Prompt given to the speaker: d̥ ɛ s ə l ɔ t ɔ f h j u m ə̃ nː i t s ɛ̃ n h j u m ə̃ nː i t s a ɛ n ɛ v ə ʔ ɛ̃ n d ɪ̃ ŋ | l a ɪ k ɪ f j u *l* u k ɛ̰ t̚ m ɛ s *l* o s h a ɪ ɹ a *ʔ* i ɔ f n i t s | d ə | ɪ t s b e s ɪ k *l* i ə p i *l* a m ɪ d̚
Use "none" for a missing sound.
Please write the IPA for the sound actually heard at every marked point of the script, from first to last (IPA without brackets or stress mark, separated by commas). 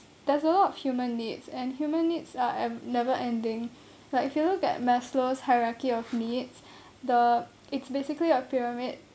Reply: l, l, k, l, ɹ